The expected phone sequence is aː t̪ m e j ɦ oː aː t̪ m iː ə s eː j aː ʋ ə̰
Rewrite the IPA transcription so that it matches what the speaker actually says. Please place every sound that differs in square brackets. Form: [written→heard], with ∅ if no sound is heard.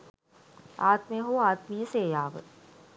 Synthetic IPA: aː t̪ m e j ɦ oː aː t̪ m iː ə s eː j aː ʋ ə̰